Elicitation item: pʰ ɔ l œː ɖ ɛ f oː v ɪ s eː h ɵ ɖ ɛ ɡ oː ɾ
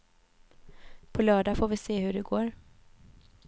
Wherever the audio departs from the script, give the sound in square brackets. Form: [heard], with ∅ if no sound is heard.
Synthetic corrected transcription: pʰ ɔ l œː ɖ [a] f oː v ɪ s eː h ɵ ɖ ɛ ɡ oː ɾ